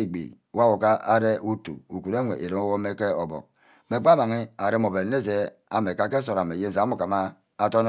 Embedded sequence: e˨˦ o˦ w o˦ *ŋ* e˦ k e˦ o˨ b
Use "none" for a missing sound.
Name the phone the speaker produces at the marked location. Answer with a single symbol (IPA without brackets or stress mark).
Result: m